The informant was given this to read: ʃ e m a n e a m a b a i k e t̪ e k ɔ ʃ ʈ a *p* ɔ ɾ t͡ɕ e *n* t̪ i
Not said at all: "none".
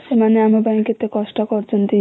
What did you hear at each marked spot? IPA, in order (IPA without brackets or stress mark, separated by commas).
k, n